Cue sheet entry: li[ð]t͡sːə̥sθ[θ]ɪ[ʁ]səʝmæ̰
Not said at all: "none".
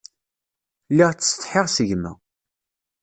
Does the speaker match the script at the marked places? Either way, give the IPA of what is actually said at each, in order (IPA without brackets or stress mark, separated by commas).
ʁ, ħ, ʁ